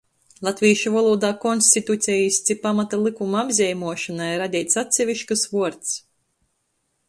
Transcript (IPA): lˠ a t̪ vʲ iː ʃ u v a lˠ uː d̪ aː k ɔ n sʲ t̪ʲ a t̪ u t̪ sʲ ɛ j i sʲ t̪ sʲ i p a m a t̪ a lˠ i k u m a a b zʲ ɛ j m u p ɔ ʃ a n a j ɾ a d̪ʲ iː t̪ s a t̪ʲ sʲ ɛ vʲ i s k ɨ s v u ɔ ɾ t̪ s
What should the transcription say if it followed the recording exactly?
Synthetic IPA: lˠ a t̪ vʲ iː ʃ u v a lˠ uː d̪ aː k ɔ n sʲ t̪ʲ i t̪ u t̪ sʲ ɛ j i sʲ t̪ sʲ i p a m a t̪ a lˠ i k u m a a b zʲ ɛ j m u ɔ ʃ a n a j ɾ a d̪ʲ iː t̪ s a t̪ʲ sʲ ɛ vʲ i ʃ k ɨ s v u ɔ ɾ t̪ s